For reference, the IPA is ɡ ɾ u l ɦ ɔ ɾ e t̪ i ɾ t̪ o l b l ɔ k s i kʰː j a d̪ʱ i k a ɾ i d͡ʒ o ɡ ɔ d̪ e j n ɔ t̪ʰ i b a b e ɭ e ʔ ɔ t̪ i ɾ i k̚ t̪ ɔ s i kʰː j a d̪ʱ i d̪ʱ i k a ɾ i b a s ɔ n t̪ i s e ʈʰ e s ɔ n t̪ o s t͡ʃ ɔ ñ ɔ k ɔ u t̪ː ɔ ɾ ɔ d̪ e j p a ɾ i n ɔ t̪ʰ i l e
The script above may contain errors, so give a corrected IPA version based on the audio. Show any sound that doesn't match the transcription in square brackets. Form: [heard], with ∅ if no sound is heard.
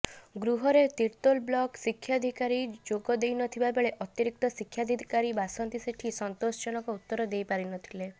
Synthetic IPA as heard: ɡ ɾ u [∅] ɦ ɔ ɾ e t̪ i ɾ t̪ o l b l ɔ k s i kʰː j a d̪ʱ i k a ɾ i d͡ʒ o ɡ ɔ d̪ e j n ɔ t̪ʰ i b a b e ɭ e ʔ ɔ t̪ i ɾ i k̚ t̪ ɔ s i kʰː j a d̪ʱ i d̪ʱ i k a ɾ i b a s ɔ n t̪ i s e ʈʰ [i] s ɔ n t̪ o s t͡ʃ ɔ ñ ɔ k ɔ u t̪ː ɔ ɾ ɔ d̪ e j p a ɾ i n ɔ t̪ʰ i l e